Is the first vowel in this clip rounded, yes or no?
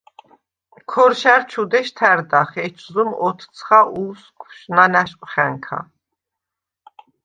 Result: yes